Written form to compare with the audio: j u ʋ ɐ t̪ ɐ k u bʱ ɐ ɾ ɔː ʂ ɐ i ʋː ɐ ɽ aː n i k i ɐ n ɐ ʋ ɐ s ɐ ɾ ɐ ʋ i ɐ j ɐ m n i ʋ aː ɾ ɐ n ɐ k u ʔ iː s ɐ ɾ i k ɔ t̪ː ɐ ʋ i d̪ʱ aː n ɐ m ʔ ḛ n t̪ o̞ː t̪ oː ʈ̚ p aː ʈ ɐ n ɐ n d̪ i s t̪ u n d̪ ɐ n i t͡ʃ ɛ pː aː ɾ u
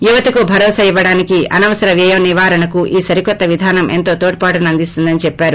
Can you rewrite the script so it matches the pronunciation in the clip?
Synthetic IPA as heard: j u ʋ ɐ t̪ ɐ k u bʱ ɐ ɾ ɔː s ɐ i ʋː ɐ ɽ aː n i k i ɐ n ɐ ʋ ɐ s ɐ ɾ ɐ ʋ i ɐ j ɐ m n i ʋ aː ɾ ɐ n ɐ k u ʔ iː s ɐ ɾ i k ɔ t̪ː ɐ ʋ i d̪ʱ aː n ɐ m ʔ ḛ n t̪ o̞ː t̪ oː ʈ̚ p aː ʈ ɐ n ɐ n d̪ i s t̪ u n d̪ ɐ n i t͡ʃ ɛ pː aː ɾ u